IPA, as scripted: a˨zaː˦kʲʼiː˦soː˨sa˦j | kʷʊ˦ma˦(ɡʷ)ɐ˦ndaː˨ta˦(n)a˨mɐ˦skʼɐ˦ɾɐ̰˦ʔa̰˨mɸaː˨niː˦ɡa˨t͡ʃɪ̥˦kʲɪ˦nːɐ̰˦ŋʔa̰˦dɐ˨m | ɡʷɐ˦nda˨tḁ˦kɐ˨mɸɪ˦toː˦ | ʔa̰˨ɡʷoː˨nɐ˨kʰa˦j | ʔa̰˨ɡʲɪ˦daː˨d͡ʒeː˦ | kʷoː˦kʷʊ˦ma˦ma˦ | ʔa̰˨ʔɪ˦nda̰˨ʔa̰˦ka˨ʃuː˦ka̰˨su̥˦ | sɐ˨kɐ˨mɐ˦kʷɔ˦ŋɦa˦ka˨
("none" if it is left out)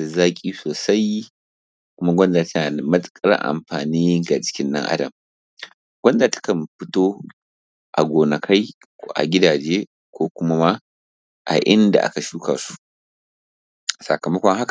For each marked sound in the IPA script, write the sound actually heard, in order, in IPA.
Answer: ɡʷ, n

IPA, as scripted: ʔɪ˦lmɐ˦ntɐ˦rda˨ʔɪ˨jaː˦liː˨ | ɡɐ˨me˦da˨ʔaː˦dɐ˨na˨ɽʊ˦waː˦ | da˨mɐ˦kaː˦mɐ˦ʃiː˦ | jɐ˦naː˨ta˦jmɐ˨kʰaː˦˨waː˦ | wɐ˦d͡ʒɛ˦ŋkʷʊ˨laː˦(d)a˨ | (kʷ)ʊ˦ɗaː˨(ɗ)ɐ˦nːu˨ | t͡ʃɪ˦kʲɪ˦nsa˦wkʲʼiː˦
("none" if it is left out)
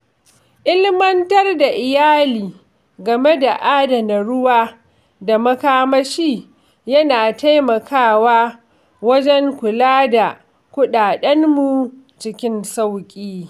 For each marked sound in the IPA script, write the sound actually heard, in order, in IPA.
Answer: d, kʷ, ɗ

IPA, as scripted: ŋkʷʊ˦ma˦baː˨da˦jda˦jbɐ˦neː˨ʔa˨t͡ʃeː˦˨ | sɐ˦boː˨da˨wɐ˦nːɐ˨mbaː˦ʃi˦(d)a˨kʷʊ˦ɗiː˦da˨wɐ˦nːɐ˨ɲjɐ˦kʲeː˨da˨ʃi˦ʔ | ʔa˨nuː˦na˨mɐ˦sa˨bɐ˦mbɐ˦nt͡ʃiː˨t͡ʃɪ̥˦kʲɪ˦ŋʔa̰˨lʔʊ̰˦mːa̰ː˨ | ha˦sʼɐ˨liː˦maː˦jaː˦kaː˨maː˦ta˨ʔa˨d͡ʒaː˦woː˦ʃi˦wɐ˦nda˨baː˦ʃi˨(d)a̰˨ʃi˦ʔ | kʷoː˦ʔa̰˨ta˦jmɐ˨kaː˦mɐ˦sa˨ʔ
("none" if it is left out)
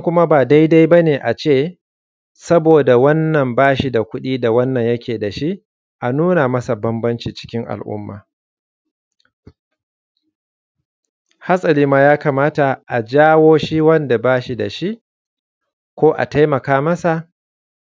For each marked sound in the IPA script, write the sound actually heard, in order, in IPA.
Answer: d, d

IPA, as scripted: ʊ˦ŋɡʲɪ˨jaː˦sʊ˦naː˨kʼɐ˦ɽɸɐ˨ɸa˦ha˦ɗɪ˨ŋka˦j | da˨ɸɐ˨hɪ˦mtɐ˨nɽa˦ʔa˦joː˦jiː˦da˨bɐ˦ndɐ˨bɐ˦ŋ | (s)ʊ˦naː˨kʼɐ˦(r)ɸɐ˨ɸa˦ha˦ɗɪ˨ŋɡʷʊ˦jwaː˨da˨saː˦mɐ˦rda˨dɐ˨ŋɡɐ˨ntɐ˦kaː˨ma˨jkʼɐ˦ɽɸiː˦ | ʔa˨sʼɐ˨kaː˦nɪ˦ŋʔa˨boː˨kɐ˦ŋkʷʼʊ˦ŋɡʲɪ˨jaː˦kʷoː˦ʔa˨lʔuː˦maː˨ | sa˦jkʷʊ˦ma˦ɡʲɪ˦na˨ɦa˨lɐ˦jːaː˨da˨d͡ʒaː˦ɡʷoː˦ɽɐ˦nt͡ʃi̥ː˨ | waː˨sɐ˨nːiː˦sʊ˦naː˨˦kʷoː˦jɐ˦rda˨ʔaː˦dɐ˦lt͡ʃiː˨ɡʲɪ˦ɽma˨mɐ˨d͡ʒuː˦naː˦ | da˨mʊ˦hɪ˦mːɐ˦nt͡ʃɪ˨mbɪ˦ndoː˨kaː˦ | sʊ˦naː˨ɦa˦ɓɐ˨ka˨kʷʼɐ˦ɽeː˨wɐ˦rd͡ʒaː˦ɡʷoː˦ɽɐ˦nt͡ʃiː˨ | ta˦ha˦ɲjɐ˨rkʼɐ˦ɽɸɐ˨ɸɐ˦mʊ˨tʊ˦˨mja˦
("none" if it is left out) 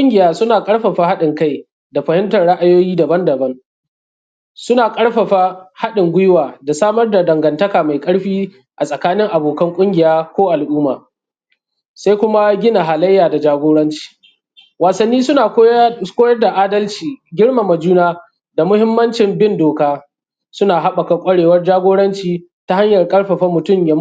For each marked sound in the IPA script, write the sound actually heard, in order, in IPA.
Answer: s, ɽ

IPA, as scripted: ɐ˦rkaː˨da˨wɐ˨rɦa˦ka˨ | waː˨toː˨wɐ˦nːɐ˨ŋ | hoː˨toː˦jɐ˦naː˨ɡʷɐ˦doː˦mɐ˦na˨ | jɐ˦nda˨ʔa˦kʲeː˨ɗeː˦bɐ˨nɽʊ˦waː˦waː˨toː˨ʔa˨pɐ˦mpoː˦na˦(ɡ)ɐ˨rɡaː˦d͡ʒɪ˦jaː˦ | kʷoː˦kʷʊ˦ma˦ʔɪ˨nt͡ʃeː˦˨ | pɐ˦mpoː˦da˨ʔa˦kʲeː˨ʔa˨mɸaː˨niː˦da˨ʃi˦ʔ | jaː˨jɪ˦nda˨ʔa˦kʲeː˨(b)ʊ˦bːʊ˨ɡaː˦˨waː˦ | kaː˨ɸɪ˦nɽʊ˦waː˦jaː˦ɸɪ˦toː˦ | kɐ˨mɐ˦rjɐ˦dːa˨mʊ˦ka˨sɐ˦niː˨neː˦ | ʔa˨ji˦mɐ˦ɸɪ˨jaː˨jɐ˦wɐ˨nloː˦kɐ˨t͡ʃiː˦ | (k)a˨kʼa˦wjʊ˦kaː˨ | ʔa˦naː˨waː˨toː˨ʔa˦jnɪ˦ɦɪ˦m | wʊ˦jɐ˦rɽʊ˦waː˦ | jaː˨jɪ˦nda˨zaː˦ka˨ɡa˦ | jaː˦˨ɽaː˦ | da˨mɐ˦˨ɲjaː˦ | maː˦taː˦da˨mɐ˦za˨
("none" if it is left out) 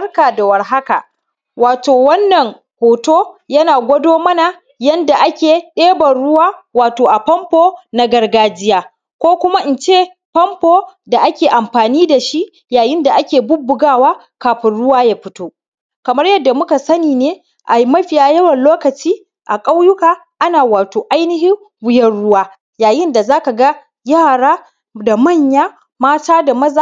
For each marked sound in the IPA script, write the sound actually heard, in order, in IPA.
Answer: ɡ, b, ʔ

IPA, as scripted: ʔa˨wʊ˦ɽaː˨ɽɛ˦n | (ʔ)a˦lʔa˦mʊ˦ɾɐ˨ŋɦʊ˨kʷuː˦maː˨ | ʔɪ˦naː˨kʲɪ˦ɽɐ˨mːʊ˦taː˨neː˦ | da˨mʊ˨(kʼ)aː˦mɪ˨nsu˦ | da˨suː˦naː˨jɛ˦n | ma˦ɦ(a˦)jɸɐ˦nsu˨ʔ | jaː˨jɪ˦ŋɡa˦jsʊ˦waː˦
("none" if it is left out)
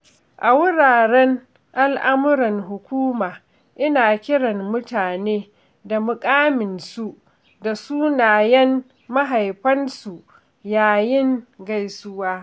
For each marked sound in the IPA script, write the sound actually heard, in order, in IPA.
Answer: ʔ, kʼ, a˨

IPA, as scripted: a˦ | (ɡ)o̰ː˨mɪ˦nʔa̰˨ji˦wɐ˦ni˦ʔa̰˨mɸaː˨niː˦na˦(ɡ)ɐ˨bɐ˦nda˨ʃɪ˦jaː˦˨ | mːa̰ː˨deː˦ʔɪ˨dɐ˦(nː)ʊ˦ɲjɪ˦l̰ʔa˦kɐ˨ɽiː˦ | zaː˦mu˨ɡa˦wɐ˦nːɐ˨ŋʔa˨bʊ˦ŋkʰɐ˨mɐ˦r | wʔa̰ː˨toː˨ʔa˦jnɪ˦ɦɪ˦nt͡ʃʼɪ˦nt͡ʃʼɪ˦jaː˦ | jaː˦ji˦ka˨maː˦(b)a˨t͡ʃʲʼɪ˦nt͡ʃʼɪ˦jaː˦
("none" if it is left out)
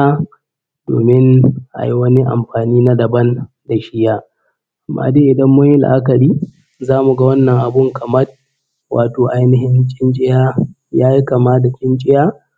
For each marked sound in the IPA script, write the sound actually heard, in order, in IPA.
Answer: d, d, mː, d

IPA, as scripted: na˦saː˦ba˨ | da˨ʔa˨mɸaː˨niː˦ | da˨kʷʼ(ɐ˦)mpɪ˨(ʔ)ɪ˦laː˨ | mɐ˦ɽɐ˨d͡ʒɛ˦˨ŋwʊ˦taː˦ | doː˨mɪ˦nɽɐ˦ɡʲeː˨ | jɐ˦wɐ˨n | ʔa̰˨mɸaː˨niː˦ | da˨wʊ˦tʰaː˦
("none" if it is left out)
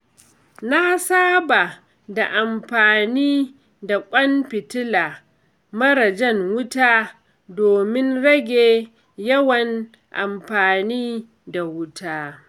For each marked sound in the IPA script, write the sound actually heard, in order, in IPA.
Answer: ɐ˦, t

